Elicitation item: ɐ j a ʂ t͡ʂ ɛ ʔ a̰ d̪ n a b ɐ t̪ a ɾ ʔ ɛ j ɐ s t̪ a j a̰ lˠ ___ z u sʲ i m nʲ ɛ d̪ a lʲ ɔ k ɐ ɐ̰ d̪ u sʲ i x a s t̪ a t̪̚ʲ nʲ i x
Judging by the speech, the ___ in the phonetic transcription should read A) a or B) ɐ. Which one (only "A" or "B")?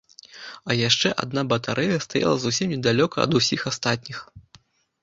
B